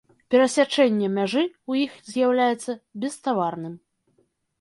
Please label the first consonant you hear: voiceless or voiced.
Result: voiceless